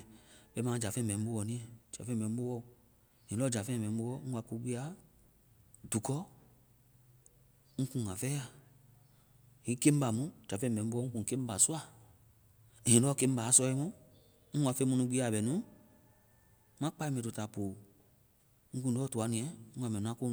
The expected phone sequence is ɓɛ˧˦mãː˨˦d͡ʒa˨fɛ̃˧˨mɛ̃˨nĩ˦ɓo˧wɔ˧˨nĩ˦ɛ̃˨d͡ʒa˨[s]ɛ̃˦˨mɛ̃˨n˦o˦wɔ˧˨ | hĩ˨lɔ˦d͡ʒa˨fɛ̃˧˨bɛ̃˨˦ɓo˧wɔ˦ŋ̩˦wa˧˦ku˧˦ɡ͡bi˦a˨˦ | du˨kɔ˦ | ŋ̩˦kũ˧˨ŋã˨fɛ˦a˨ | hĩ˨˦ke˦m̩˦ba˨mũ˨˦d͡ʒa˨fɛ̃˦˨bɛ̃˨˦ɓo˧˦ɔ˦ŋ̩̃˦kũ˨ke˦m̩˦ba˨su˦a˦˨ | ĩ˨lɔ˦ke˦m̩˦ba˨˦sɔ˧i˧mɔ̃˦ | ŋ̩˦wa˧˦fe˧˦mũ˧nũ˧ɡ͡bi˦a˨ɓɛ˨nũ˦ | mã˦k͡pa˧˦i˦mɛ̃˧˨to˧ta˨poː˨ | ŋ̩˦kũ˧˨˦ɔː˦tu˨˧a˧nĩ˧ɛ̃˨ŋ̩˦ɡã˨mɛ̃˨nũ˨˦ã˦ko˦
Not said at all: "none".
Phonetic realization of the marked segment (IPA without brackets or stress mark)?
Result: f